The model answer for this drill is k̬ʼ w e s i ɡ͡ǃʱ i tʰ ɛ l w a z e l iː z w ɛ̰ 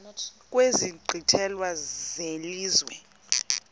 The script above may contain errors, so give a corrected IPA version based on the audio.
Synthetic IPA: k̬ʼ w e z i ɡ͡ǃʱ i tʰ ɛ l w a z e l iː z w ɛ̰